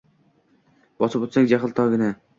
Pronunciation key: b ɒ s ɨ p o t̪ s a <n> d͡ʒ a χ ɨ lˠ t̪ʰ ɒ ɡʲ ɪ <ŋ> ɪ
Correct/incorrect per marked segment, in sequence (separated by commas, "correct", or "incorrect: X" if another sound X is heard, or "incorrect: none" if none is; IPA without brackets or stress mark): incorrect: ŋ, incorrect: n